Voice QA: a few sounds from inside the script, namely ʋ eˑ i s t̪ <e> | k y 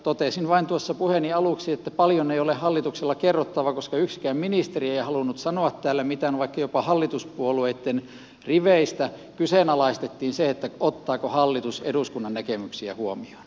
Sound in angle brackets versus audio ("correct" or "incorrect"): incorrect